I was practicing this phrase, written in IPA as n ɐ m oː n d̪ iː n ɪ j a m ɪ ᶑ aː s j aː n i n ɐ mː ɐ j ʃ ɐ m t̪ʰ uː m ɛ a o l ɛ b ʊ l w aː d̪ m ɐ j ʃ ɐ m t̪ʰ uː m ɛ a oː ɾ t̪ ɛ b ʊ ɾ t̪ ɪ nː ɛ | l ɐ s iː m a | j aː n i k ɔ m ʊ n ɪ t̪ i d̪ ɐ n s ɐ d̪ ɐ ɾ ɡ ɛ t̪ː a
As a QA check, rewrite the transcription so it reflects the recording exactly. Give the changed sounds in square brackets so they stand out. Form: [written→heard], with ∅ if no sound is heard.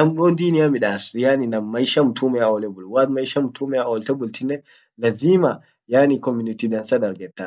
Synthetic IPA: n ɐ m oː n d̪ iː n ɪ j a m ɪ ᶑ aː s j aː n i n ɐ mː ɐ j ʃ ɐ m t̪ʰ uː m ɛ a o l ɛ b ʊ l w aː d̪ m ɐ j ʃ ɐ m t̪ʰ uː m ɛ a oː [ɾ→l] t̪ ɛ b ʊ [ɾ→l] t̪ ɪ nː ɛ | l ɐ [s→z] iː m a | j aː n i k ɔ m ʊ n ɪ t̪ i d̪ ɐ n s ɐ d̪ ɐ ɾ ɡ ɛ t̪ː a